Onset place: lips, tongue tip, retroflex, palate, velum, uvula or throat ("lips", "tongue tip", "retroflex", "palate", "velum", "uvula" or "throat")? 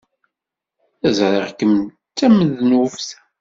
tongue tip